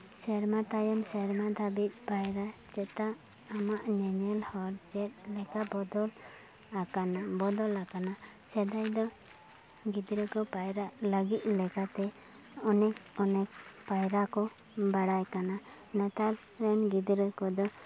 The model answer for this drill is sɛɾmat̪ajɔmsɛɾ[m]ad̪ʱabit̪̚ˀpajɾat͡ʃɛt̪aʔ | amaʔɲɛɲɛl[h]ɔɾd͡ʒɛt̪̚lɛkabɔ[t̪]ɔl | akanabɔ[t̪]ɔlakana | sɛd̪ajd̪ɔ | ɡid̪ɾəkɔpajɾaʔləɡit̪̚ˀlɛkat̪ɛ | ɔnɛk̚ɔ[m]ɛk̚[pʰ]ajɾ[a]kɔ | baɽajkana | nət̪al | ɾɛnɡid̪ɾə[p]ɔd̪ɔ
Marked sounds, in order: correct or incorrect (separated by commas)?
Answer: correct, correct, incorrect, incorrect, incorrect, incorrect, correct, incorrect